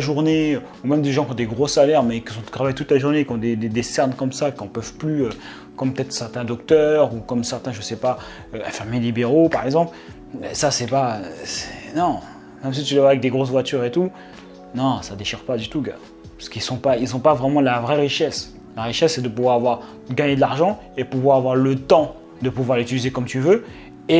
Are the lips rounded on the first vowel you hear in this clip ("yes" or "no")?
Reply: yes